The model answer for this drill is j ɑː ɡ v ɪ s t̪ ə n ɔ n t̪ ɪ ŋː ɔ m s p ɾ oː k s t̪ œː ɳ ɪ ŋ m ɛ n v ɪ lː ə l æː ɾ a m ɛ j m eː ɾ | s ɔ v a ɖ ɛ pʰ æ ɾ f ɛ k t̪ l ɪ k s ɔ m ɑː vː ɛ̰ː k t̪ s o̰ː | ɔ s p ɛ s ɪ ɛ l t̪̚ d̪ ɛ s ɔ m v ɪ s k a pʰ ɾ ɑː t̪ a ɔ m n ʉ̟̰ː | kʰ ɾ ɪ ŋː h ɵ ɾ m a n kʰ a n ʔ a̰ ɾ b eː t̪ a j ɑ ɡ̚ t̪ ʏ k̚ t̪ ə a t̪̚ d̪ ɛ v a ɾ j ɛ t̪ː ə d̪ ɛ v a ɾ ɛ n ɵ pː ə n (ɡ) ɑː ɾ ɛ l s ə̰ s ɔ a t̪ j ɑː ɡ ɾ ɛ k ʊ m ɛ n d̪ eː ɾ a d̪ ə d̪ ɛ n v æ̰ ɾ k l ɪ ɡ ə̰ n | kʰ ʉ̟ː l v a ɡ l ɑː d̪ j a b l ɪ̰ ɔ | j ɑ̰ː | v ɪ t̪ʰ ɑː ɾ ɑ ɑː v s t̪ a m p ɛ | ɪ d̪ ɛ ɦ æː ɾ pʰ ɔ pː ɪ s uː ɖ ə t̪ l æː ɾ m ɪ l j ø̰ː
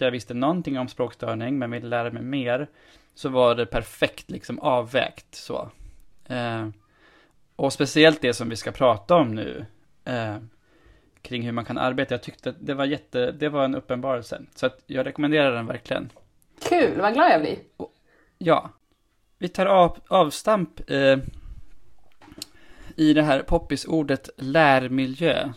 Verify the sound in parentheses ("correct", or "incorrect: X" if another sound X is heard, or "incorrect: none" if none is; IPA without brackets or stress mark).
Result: incorrect: b